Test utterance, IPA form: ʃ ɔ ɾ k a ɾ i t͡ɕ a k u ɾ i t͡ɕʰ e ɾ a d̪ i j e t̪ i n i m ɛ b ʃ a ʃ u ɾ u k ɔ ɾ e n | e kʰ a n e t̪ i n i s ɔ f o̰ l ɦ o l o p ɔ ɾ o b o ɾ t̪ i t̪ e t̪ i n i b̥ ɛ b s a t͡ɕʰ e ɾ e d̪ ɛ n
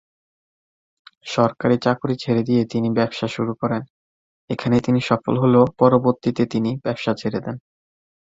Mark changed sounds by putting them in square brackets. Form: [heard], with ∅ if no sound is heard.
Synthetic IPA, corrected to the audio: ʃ ɔ ɾ k a ɾ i t͡ɕ a k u ɾ i t͡ɕʰ e ɾ [e] d̪ i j e t̪ i n i [b] ɛ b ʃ a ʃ u ɾ u k ɔ ɾ e n | e kʰ a n e t̪ i n i [ʃ] ɔ f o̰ l ɦ o l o p ɔ ɾ o b o ɾ t̪ i t̪ e t̪ i n i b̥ ɛ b [ʃ] a t͡ɕʰ e ɾ e d̪ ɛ n